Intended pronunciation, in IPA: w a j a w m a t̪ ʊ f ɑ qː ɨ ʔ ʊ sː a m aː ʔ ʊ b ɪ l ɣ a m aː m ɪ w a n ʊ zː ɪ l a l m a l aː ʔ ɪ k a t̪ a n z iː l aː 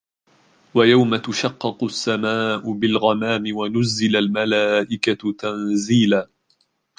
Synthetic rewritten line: w a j a w m a t̪ ʊ ʃ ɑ qː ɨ q ʊ sː a m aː ʔ ʊ b ɪ l ɣ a m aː m ɪ w a n ʊ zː ɪ l a l m a l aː ʔ ɪ k a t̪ a n z iː l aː

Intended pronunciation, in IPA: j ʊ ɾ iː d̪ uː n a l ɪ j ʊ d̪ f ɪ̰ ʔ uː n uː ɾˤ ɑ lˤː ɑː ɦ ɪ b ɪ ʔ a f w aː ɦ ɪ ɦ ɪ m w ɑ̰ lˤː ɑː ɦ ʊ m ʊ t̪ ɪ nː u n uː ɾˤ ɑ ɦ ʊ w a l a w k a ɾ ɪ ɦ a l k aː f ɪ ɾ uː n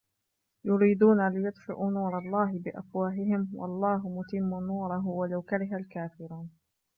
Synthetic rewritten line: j ʊ ɾ iː d̪ uː n a l ɪ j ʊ d̪ f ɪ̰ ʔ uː n uː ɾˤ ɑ lˤː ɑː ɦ ɪ b ɪ ʔ a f w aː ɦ ɪ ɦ ɪ m w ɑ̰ lˤː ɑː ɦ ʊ m ʊ t̪ ɪ mː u n uː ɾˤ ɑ ɦ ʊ w a l a w k a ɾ ɪ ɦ a l k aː f ɪ ɾ uː n

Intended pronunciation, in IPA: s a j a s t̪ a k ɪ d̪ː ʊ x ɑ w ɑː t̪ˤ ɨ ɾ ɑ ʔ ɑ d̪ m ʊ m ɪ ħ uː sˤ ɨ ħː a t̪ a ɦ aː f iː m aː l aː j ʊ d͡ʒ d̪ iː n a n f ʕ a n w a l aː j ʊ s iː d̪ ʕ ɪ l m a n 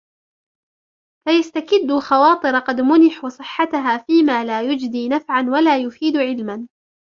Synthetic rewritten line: f a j a s t̪ a k ɪ d̪ː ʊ x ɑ w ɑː t̪ˤ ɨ ɾ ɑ q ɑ d̪ m ʊ n ɪ ħ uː sˤ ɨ ħː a t̪ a ɦ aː f iː m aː l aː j ʊ d͡ʒ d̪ iː n a f ʕ a n w a l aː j ʊ f iː d̪ ʕ ɪ l m a n

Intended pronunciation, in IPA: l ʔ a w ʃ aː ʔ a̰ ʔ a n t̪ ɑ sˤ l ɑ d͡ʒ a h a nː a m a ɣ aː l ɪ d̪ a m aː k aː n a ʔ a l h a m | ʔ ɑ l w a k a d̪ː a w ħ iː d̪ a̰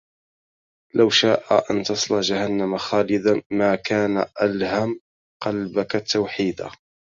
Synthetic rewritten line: l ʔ a w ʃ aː ʔ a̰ ʔ a n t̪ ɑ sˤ l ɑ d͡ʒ a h a nː a m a x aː l ɪ d̪ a m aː k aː n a ʔ a l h a m | q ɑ l b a k a t̪ː a w ħ iː d̪ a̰

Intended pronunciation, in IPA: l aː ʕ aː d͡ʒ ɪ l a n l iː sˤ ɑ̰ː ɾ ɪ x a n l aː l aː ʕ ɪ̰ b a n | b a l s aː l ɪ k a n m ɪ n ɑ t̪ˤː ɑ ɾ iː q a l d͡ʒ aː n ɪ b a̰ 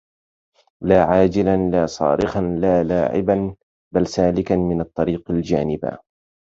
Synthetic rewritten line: l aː ʕ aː d͡ʒ ɪ l a n l aː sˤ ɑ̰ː ɾ ɪ x a n l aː l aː ʕ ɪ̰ b a n | b a l s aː l ɪ k a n m ɪ n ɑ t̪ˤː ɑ ɾ iː q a l d͡ʒ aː n ɪ b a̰

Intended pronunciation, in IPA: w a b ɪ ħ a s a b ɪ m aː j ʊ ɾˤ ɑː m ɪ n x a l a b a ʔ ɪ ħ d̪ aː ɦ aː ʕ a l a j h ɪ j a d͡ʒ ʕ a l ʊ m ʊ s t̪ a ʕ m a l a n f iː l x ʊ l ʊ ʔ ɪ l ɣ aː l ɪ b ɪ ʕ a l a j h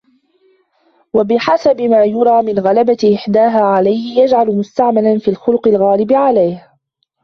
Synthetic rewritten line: w a b ɪ ħ a s a b ɪ m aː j ʊ ɾˤ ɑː m ɪ n ɣ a l a b a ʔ ɪ ħ d̪ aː ɦ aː ʕ a l a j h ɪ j a d͡ʒ ʕ a l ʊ m ʊ s t̪ a ʕ m a l a n f iː l x ʊ l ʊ q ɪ l ɣ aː l ɪ b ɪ ʕ a l a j h

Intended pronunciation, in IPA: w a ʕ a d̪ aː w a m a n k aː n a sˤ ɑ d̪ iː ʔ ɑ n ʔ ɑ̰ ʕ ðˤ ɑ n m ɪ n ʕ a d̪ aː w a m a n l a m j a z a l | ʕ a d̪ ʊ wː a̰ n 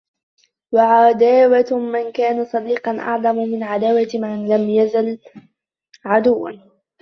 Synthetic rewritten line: w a ʕ a d̪ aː w a m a n k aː n a sˤ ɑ d̪ iː q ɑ n ʔ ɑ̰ ʕ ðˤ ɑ m m ɪ n ʕ a d̪ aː w a m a n l a m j a z a l | ʕ a d̪ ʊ wː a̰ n

